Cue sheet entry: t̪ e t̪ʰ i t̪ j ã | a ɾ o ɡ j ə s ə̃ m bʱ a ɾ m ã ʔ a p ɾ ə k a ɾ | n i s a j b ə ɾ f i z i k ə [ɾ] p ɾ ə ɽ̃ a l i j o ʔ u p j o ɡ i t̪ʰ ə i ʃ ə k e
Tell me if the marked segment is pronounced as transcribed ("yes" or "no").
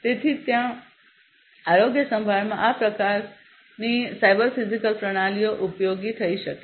no